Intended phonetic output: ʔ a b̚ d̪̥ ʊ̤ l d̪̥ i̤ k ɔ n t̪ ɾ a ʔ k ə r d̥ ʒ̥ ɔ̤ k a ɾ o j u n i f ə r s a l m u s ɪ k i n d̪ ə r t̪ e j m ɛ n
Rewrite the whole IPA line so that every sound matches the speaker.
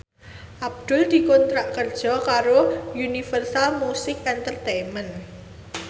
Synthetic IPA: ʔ a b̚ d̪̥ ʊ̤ l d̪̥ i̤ k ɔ n t̪ ɾ a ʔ k ə r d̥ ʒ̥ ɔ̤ k a ɾ o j u n i f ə r s a l m u s ɪ k ɛ n t̪ ə r t̪ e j m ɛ n